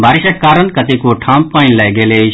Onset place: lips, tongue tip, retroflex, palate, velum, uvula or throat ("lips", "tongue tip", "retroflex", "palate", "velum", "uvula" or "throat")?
lips